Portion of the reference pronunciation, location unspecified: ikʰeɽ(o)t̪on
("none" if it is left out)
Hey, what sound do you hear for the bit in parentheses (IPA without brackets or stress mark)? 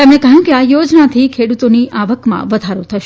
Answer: u